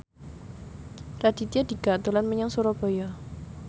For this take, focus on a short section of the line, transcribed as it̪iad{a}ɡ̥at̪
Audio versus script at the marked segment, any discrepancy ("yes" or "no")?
yes